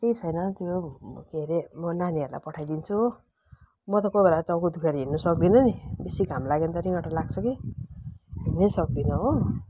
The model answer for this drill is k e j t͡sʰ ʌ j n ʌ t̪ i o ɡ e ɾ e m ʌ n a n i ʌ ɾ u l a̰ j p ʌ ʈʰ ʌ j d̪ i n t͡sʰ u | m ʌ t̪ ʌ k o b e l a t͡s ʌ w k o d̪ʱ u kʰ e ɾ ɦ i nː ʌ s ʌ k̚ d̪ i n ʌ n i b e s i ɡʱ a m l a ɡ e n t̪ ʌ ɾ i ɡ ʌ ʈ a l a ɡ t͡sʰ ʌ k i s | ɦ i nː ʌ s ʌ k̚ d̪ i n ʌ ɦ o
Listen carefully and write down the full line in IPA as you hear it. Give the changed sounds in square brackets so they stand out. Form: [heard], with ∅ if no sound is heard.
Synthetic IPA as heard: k e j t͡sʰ ʌ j n ʌ t̪ [j] o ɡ e ɾ e m ʌ n a n i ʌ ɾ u l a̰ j p ʌ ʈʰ [a] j d̪ i n t͡sʰ u | m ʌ t̪ ʌ k o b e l a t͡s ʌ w k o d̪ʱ u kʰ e ɾ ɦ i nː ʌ s ʌ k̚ d̪ i n ʌ n i b e s i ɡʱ a m l a ɡ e n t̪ ʌ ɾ i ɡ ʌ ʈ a l a ɡ t͡sʰ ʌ k i [∅] | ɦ i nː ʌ s ʌ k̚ d̪ i n ʌ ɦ o